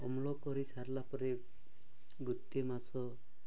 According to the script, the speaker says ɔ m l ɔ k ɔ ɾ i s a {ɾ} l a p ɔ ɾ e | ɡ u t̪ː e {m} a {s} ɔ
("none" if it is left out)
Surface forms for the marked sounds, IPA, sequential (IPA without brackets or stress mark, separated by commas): ɾ, m, s